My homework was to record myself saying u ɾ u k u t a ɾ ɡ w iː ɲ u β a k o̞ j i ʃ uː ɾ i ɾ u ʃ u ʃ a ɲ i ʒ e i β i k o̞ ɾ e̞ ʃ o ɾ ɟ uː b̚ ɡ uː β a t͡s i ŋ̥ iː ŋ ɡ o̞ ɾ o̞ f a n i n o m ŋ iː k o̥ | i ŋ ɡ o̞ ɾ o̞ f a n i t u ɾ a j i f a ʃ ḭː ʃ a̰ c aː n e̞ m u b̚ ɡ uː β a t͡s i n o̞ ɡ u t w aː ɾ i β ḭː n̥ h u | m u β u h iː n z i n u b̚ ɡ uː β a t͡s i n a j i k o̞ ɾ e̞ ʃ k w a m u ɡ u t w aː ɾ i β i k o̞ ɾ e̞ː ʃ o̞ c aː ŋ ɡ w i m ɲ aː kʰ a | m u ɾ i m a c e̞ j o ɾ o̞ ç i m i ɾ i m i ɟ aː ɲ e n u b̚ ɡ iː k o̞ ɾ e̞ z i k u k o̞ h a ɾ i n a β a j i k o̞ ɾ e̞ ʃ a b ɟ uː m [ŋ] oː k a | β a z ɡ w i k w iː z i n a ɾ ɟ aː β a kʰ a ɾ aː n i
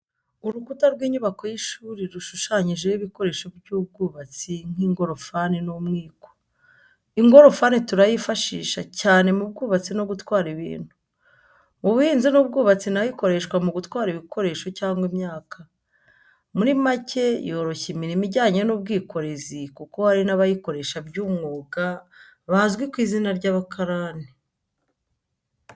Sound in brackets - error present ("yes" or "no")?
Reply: no